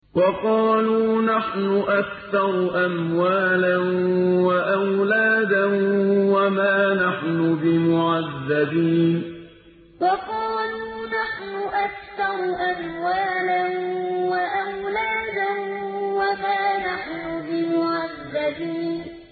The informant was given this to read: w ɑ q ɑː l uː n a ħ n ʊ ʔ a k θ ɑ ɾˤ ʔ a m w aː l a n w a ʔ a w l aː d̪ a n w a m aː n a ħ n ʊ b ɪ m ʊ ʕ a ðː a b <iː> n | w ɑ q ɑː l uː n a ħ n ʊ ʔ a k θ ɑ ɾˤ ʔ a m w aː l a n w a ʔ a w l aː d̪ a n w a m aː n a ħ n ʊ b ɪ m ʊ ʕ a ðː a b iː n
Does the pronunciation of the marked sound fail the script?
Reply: no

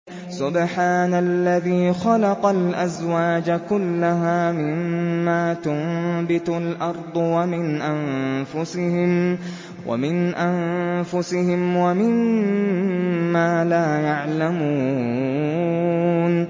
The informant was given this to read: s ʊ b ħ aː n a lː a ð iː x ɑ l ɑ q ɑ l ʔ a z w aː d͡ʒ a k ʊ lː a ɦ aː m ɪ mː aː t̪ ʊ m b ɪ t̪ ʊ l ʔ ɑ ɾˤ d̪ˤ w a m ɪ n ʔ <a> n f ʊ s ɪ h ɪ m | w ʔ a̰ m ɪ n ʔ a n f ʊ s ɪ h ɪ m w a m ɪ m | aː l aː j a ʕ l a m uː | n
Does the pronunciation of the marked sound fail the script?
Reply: no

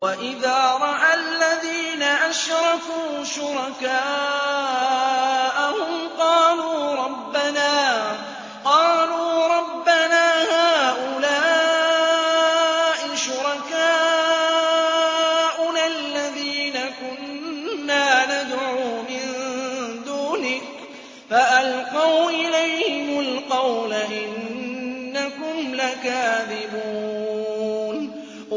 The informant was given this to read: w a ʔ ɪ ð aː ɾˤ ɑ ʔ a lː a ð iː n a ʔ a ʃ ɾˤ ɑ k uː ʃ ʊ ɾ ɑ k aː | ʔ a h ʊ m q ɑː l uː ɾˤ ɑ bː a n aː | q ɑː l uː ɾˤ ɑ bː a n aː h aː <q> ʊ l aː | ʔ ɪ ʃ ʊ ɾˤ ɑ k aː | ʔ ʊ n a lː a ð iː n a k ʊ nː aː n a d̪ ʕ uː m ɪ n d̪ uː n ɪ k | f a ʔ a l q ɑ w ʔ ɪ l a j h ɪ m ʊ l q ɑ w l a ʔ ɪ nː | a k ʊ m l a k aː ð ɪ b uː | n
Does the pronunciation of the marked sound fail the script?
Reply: yes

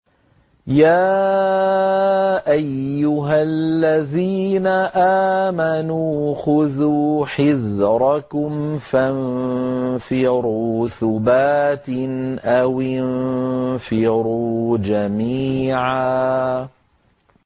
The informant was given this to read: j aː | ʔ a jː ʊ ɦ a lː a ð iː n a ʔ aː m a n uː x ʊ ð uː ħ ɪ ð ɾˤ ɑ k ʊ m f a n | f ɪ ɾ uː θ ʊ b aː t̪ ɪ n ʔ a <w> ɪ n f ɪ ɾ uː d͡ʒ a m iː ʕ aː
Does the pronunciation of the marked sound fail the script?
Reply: no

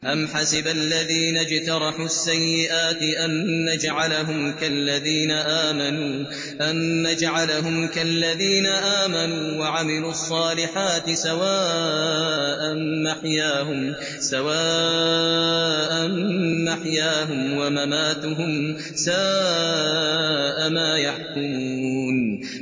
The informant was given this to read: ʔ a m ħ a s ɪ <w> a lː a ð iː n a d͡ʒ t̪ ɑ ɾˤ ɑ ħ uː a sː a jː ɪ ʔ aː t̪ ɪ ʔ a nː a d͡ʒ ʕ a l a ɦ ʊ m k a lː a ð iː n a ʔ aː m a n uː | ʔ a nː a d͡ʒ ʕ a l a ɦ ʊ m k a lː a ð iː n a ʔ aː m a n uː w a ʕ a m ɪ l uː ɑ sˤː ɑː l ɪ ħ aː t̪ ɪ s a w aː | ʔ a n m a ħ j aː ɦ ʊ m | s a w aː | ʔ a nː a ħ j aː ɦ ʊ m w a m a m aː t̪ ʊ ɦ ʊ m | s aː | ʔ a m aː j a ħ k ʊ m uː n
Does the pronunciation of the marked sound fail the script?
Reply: yes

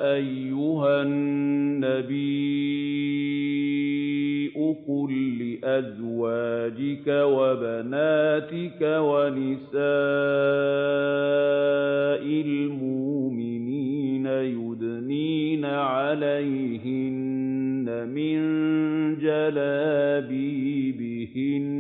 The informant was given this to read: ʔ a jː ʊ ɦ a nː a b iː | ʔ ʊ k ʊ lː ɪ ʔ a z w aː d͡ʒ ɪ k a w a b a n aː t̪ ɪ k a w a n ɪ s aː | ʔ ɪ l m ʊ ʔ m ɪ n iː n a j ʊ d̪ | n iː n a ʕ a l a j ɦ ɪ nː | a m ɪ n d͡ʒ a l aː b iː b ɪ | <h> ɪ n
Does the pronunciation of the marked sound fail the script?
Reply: no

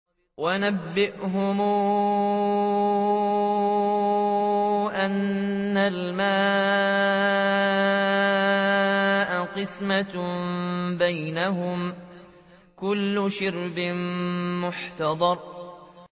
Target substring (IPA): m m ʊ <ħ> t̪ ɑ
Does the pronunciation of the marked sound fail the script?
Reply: no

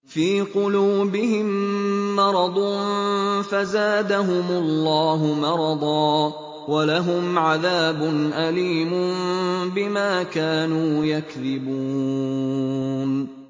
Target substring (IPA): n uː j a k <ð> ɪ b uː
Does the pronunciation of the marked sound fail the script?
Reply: no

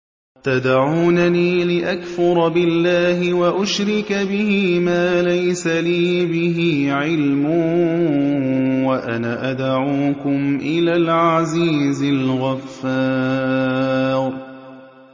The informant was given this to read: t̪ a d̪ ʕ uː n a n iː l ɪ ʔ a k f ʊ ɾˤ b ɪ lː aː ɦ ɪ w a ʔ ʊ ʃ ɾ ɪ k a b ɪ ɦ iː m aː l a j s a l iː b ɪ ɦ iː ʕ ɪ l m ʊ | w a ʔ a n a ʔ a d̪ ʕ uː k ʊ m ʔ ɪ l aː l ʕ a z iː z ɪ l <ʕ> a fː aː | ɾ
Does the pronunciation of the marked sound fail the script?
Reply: yes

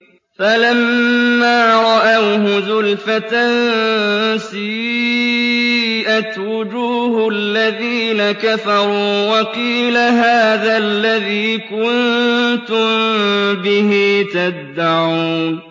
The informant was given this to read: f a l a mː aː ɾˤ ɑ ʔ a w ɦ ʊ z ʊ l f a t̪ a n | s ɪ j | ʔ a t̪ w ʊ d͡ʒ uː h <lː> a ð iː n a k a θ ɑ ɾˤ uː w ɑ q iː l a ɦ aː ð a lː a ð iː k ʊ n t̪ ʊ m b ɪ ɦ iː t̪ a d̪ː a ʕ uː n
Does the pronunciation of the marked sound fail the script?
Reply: no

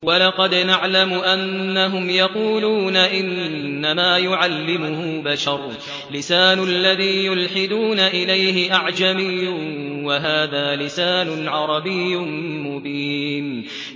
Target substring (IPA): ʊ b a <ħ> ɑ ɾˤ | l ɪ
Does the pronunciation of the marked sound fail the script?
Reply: yes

